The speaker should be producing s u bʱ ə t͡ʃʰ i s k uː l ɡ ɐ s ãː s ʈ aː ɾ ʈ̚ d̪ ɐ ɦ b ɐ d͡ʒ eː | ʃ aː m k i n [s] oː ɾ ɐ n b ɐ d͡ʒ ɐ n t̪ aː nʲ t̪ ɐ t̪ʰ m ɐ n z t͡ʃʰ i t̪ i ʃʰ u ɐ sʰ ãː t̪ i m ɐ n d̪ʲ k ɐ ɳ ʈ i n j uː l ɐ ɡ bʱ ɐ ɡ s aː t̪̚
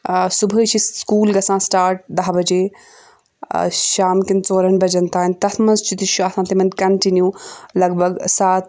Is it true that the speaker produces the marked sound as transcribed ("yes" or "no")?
no